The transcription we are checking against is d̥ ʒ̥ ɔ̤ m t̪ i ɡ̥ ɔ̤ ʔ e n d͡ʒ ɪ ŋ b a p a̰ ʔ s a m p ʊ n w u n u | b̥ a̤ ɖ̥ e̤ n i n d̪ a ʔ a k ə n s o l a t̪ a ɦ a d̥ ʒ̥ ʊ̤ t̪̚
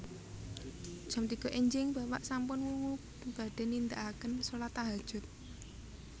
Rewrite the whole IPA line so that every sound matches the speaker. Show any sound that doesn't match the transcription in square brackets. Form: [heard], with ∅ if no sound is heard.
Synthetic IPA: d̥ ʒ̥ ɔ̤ m t̪ i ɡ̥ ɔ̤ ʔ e [ɲ] d͡ʒ ɪ ŋ b a p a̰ ʔ s a m p ʊ n w u [ŋ] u | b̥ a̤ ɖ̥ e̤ n i n d̪ a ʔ a k ə n s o l a t̪ a ɦ a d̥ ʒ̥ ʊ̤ t̪̚